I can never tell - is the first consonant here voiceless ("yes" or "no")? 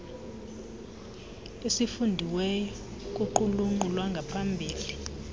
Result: yes